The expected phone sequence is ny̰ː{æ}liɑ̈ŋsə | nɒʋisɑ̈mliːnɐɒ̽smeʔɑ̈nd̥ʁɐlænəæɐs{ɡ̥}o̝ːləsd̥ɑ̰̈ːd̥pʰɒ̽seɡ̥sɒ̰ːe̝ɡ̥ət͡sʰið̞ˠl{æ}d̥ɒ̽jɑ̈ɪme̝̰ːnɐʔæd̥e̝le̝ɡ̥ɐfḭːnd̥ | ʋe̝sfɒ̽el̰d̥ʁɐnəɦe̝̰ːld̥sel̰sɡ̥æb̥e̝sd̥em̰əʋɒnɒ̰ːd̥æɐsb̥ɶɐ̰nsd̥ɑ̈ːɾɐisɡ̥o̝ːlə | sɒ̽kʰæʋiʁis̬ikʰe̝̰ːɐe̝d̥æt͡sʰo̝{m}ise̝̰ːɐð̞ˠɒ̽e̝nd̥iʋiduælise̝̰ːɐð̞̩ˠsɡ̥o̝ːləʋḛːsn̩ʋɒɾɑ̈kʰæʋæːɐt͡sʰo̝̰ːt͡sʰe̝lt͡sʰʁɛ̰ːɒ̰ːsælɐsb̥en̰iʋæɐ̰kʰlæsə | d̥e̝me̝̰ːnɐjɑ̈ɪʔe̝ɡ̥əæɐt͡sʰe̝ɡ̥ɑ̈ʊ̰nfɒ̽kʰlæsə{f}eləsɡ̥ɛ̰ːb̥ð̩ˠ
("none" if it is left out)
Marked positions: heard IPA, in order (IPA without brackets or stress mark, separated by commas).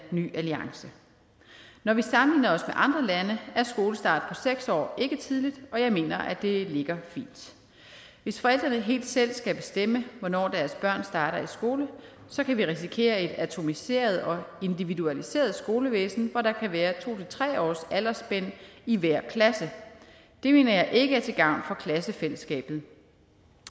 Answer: æ, ɡ̥, i, m, f